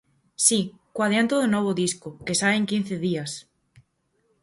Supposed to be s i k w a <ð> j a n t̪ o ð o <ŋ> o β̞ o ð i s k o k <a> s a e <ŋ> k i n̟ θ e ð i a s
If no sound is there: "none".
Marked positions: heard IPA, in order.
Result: ð, n, e, ŋ

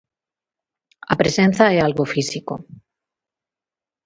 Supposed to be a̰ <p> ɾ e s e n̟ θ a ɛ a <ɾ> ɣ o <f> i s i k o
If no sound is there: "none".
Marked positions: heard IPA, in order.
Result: p, l, f

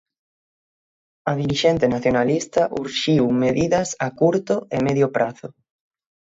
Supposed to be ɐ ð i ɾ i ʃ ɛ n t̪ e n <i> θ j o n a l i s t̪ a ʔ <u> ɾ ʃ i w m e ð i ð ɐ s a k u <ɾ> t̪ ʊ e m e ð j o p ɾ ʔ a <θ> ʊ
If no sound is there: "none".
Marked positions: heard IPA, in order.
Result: a, u, ɾ, θ

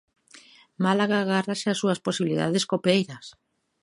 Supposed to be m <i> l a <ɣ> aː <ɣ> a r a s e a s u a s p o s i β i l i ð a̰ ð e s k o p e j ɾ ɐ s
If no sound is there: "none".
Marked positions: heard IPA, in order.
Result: a, ɣ, ɣ

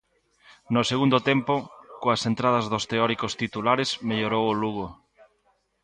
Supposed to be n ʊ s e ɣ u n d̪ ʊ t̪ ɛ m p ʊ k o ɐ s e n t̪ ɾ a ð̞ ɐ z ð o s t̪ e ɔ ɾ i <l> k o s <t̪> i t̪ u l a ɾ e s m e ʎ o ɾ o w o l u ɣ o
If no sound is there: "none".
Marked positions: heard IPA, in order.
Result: none, t̪

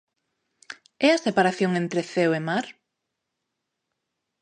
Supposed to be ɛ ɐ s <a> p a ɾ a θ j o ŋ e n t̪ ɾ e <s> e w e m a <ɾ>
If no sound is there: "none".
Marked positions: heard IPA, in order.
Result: e, θ, ɾ

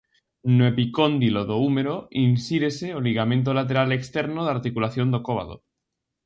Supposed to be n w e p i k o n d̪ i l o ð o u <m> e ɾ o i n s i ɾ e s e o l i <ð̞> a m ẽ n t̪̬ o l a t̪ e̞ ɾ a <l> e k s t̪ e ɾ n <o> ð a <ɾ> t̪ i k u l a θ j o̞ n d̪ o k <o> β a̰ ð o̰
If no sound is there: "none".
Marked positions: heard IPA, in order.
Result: m, ɣ̞, l, o, ɾ, o

